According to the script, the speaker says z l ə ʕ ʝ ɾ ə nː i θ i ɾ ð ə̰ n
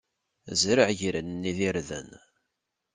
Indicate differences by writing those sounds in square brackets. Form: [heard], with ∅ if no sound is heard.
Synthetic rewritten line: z [ɾ] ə ʕ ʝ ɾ ə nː i [ð] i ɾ ð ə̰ n